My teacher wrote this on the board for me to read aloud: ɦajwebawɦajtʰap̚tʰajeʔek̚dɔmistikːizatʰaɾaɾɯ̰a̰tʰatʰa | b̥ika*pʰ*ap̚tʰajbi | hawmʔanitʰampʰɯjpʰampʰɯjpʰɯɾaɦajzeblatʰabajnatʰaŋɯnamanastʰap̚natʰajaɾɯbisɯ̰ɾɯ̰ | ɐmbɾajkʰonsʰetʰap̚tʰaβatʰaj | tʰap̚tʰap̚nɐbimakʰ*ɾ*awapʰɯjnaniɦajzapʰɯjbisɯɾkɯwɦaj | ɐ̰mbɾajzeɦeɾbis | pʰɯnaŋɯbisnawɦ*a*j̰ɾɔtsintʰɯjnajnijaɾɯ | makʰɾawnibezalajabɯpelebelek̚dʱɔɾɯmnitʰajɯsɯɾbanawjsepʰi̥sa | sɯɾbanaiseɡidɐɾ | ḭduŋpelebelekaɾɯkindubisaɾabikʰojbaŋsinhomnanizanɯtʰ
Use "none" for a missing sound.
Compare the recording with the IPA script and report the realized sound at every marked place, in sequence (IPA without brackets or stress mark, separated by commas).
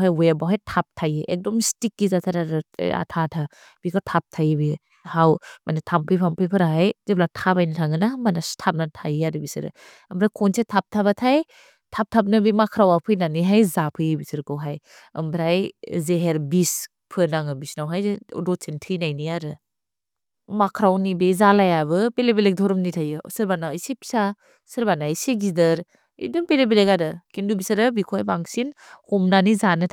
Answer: tʰ, ɾ, a